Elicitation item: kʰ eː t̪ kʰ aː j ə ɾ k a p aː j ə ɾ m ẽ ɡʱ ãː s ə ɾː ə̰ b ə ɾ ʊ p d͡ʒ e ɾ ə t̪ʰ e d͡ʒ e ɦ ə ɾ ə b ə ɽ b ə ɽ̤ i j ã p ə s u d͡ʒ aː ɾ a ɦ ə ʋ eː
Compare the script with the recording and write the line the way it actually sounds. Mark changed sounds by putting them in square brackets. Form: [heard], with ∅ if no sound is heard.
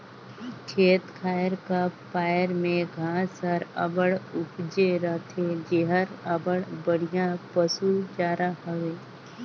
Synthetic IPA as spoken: kʰ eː t̪ kʰ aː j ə ɾ k a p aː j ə ɾ m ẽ ɡʱ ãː s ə [ɾ] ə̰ b ə [ɽ] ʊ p d͡ʒ e ɾ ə t̪ʰ e d͡ʒ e ɦ ə ɾ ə b ə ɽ b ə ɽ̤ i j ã p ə s u d͡ʒ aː ɾ a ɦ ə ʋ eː

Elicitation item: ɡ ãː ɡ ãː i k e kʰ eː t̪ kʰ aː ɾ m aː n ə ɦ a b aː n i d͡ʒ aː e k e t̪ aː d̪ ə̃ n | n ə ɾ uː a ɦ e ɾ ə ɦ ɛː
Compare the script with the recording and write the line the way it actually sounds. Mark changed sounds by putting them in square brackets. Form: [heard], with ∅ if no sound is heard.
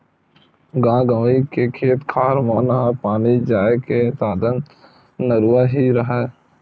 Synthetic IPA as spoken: ɡ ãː ɡ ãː i k e kʰ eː t̪ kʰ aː ɾ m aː n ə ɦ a [p] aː n i d͡ʒ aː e k e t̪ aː d̪ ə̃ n | n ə ɾ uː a ɦ [i] ɾ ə ɦ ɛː

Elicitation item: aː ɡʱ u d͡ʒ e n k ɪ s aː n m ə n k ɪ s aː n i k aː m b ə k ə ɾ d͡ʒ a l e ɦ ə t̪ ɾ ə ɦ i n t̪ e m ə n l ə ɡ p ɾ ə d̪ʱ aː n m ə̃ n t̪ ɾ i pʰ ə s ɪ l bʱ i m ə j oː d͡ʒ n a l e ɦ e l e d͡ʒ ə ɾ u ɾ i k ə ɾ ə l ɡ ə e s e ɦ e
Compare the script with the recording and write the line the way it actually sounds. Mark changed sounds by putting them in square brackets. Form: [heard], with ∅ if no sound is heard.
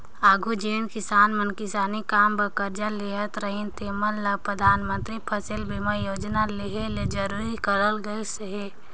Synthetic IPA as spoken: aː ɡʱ u d͡ʒ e n k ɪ s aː n m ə n k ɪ s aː n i k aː m b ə k ə ɾ d͡ʒ a l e ɦ ə t̪ ɾ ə ɦ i n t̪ e m ə n l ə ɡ p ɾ ə d̪ʱ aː n m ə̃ n t̪ ɾ i pʰ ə s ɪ l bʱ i m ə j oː d͡ʒ n a l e ɦ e l e d͡ʒ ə ɾ u ɾ i k ə ɾ ə l ɡ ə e s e ɦ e

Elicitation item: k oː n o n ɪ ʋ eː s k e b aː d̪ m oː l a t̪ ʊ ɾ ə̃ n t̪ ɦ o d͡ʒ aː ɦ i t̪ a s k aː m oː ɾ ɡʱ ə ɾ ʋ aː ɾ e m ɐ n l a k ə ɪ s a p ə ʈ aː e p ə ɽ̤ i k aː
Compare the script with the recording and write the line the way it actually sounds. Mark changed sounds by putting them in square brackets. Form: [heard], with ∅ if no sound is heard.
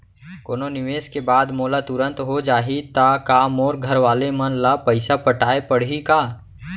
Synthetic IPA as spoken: k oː n o n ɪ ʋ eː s k e b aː d̪ m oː l a t̪ ʊ ɾ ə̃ n t̪ ɦ o d͡ʒ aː ɦ i t̪ a [∅] k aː m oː ɾ ɡʱ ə ɾ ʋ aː [l] e m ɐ n l a [p] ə ɪ s a p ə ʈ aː e p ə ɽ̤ i k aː

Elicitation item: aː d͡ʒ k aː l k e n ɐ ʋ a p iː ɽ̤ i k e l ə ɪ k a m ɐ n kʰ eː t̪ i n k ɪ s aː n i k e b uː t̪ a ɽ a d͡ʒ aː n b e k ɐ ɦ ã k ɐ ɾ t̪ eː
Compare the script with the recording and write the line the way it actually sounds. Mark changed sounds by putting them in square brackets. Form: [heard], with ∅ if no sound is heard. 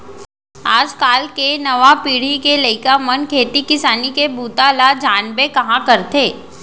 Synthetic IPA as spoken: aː d͡ʒ k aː l k e n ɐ ʋ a p iː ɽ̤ i k e l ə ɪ k a m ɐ n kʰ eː t̪ i [∅] k ɪ s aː n i k e b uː t̪ a [l] a d͡ʒ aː n b e k ɐ ɦ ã k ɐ ɾ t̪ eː

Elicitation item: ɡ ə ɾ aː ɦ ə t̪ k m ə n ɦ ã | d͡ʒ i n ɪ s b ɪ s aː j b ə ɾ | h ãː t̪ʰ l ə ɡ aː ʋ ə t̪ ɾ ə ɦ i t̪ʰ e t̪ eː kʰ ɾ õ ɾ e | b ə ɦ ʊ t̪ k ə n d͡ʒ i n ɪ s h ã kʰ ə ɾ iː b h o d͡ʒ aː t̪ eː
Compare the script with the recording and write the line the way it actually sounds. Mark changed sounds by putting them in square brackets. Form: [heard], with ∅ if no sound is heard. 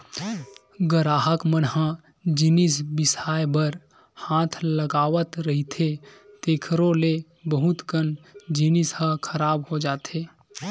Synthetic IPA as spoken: ɡ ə ɾ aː ɦ ə [∅] k m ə n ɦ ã | d͡ʒ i n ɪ s b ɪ s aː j b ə ɾ | h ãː t̪ʰ l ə ɡ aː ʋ ə t̪ ɾ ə ɦ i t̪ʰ e t̪ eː kʰ ɾ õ [l] e | b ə ɦ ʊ t̪ k ə n d͡ʒ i n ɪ s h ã kʰ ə ɾ [aː] b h o d͡ʒ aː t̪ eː

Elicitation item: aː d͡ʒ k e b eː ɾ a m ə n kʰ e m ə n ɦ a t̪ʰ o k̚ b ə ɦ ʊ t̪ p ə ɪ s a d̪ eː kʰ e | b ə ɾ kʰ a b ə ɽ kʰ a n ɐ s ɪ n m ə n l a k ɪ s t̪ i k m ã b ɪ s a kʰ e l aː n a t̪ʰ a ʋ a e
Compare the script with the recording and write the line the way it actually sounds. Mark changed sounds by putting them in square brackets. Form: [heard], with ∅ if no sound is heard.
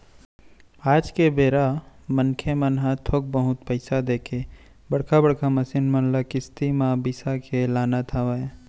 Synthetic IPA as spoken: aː d͡ʒ k e b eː ɾ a m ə n kʰ e m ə n ɦ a t̪ʰ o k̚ b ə ɦ ʊ t̪ p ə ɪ s a d̪ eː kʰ e | b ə [ɽ] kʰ a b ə ɽ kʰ a [m] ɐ s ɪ n m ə n l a k ɪ s t̪ i [∅] m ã b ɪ s a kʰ e l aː n a t̪ʰ a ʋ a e

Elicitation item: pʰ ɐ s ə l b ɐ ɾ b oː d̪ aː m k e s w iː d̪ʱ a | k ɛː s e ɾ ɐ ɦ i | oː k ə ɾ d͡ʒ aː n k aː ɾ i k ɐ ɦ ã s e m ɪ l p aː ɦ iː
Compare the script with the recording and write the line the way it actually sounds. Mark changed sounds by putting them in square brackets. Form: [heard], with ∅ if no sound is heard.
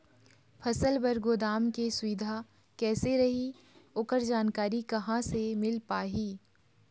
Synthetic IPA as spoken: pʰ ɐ s ə l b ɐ ɾ [ɡ] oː d̪ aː m k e s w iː d̪ʱ a | k ɛː s e ɾ ɐ ɦ i | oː k ə ɾ d͡ʒ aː n k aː ɾ i k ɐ ɦ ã s e m ɪ l p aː ɦ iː

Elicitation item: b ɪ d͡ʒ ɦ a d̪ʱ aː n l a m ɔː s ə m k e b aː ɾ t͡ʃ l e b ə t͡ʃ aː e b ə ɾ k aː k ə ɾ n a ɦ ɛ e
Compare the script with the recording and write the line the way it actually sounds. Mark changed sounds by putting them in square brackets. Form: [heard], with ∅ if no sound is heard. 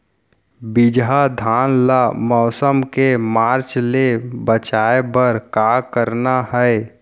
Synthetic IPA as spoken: b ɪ d͡ʒ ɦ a d̪ʱ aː n l a m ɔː s ə m k e [m] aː ɾ t͡ʃ l e b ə t͡ʃ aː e b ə ɾ k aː k ə ɾ n a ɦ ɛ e

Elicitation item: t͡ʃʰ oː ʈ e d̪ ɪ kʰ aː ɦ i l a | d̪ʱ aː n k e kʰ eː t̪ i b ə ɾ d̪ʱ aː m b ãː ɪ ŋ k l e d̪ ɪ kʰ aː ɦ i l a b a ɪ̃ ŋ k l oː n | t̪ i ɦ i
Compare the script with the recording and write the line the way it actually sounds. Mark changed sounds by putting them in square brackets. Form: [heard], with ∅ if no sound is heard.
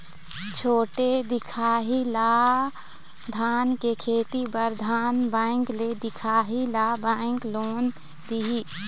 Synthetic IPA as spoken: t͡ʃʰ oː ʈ e d̪ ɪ kʰ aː ɦ i l a | d̪ʱ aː n k e kʰ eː t̪ i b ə ɾ d̪ʱ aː [n] b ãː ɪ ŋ k l e d̪ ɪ kʰ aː ɦ i l a b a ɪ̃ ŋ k l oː n | [d̪] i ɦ i

